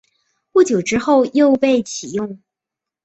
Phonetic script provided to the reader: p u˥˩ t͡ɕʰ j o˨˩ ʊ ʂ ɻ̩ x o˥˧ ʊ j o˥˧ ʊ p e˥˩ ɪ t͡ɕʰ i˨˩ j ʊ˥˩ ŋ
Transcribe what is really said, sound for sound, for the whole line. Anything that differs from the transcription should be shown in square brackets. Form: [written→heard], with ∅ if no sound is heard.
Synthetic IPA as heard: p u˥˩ [t͡ɕʰ→t͡ɕ] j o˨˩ ʊ [ʂ→ʈ͡ʂ] ɻ̩ x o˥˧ ʊ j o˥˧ ʊ p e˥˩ ɪ t͡ɕʰ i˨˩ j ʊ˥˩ ŋ